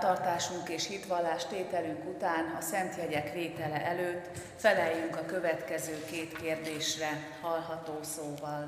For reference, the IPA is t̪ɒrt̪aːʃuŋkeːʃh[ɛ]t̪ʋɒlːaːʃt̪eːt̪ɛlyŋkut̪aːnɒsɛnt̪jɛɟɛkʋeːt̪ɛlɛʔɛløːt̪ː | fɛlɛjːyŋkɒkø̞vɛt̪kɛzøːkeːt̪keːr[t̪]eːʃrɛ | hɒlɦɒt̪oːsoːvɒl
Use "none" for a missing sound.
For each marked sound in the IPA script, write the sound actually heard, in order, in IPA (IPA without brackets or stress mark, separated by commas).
i, d̪